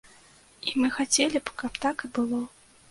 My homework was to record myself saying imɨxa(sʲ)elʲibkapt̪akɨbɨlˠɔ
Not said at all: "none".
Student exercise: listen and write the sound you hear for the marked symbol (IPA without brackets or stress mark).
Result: t͡sʲ